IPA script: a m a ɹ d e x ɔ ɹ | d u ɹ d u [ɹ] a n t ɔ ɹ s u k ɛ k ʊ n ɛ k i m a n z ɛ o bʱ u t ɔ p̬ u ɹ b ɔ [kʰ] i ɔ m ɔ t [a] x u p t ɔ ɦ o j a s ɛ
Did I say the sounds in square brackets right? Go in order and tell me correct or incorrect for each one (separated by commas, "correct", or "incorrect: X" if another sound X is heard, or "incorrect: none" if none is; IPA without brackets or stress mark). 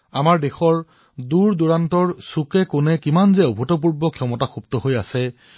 correct, correct, correct